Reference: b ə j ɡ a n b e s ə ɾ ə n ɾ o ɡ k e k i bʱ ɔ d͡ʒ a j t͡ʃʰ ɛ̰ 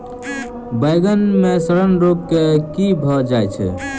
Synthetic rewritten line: b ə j ɡ ə n m e s ə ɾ ə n ɾ o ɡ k e k i bʱ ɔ d͡ʒ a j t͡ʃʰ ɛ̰